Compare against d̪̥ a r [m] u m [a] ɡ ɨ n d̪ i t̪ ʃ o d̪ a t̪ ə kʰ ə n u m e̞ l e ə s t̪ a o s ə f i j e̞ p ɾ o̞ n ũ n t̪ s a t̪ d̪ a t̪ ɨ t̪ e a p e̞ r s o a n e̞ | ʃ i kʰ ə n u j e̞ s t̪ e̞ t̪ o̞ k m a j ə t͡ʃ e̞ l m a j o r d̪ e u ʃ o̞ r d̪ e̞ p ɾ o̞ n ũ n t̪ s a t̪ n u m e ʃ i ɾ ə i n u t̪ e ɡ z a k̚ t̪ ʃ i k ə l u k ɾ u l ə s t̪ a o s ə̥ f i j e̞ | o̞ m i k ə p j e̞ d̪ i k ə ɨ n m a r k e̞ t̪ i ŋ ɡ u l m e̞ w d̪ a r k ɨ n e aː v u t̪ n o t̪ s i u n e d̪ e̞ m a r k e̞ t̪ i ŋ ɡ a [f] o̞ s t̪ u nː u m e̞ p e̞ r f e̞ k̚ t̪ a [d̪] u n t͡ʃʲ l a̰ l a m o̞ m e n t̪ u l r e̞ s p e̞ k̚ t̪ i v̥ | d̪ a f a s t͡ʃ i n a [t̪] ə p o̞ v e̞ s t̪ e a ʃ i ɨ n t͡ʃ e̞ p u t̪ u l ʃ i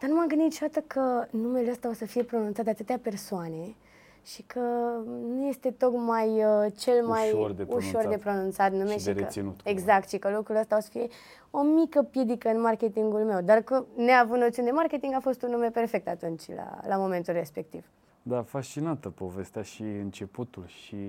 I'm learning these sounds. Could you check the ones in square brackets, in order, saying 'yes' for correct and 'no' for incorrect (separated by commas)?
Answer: no, yes, yes, no, yes